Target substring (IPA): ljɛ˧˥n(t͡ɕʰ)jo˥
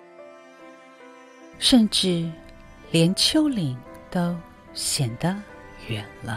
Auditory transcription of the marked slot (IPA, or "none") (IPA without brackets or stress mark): t͡ɕʰ